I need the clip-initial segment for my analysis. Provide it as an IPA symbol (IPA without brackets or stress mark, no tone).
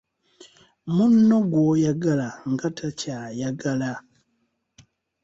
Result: m